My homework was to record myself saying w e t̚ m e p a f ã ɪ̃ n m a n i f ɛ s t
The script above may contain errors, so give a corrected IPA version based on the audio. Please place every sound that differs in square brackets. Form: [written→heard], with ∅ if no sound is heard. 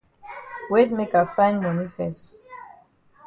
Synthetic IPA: w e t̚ m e [p→k] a f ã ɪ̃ n m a n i f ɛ s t